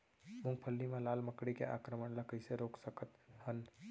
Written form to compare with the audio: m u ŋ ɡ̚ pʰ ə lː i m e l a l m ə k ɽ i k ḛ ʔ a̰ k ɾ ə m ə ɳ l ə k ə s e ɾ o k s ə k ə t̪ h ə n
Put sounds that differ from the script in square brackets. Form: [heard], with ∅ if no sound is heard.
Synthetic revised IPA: m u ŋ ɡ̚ pʰ ə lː i m e l a l m ə k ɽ i k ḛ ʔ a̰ k ɾ ə m ə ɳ l ə k ə s e ɾ o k s ə k ə t̪ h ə n